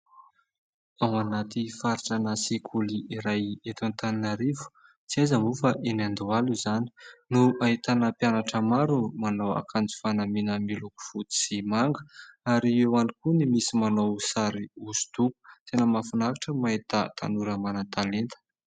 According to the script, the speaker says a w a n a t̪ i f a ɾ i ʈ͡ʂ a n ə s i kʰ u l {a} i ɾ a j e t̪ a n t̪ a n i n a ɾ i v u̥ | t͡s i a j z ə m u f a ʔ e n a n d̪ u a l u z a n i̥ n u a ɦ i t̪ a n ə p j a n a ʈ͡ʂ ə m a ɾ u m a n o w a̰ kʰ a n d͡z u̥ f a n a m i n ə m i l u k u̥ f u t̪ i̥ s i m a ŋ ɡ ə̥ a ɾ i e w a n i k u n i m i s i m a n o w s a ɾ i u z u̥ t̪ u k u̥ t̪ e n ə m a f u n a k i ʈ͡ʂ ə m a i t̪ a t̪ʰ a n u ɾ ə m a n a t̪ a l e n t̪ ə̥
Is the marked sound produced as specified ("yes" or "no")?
no